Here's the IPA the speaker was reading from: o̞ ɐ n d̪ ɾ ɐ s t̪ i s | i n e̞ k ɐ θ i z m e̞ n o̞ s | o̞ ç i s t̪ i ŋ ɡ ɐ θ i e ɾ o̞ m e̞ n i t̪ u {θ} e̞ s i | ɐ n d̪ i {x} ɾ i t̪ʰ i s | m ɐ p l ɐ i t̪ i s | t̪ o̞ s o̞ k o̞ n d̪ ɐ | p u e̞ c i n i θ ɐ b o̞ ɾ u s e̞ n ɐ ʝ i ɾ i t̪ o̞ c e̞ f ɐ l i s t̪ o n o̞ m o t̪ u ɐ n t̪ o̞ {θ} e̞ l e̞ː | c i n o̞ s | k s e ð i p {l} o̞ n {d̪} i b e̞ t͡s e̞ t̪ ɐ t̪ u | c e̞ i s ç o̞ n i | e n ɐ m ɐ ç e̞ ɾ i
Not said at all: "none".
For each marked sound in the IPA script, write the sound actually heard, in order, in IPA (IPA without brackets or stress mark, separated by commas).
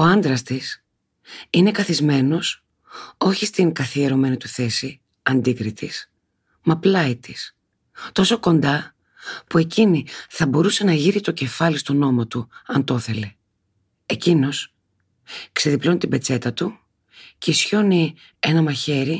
θ, k, θ, l, t̪